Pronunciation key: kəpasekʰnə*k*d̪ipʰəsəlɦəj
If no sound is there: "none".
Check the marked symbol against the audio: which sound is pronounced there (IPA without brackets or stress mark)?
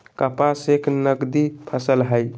ɡ